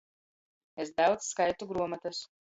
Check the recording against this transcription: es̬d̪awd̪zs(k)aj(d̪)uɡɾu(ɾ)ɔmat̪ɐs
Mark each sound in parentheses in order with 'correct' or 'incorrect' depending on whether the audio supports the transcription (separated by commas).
correct, incorrect, incorrect